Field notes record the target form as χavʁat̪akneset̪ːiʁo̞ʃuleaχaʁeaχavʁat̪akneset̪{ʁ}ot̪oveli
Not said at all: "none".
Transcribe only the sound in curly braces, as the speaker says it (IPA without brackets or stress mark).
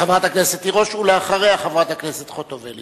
χ